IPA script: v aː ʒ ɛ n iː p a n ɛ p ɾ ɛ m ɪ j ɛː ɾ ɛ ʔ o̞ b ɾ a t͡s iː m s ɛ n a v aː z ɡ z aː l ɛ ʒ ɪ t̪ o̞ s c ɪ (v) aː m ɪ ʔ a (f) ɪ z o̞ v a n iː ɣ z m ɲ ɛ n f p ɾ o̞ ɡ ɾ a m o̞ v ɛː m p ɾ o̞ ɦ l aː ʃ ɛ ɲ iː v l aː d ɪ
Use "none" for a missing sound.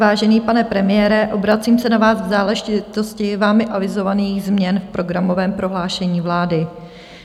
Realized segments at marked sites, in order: v, v

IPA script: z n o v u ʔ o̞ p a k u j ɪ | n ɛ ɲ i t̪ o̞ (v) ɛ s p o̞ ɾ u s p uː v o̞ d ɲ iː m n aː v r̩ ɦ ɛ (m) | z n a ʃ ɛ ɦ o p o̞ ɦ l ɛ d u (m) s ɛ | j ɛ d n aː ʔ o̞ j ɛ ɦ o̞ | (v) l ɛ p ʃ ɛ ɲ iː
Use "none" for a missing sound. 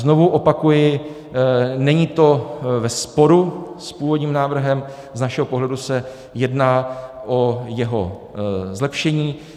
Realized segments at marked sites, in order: v, m, none, z

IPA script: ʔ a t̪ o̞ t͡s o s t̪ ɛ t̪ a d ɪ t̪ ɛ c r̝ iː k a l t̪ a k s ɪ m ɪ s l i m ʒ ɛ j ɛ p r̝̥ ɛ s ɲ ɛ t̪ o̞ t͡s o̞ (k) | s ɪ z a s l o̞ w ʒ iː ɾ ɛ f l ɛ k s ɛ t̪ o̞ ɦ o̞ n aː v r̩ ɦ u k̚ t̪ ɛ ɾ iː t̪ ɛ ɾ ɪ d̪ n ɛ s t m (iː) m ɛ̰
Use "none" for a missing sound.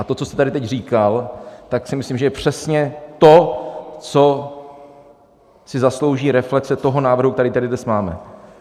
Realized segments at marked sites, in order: none, aː

